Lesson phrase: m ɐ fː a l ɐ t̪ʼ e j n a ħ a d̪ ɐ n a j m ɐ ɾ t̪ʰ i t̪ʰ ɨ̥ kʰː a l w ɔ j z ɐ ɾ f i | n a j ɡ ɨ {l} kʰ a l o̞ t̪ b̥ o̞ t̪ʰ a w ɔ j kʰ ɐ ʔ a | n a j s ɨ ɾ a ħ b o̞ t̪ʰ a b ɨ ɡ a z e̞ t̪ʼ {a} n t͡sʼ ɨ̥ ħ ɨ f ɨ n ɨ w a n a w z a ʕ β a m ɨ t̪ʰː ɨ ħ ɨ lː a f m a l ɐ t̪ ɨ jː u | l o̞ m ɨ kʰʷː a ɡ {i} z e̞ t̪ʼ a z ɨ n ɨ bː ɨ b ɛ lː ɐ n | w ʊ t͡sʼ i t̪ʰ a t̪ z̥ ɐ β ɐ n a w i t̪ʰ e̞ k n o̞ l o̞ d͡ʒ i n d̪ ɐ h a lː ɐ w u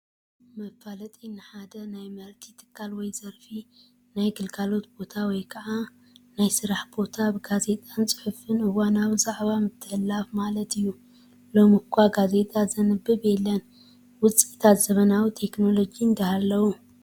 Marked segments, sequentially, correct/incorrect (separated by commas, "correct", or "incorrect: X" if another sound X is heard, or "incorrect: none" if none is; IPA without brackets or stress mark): correct, correct, incorrect: a